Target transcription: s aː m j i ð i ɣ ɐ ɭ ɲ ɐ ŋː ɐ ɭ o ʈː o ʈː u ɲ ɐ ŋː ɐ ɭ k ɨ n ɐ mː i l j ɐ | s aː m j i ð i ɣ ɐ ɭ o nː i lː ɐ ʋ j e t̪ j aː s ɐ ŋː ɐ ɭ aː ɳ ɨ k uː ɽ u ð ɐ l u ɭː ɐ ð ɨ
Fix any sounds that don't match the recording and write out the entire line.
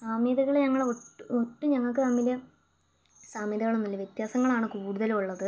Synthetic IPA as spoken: s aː m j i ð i ɣ ɐ ɭ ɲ ɐ ŋː ɐ ɭ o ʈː o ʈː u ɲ ɐ ŋː ɐ ɭ k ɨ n ɐ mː i l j ɐ | s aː m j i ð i ɣ ɐ ɭ o nː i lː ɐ ʋ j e t̪ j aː s ɐ ŋː ɐ ɭ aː ɳ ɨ k uː ɽ u ð ɐ l u ɭː ɐ ð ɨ